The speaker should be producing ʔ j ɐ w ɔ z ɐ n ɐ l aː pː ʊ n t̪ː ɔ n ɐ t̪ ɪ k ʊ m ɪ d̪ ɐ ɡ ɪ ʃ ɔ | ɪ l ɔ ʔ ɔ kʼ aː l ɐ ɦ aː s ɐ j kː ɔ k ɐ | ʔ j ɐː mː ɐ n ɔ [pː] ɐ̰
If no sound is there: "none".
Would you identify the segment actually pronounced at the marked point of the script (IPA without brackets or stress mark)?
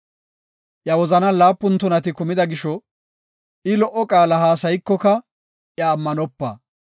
pː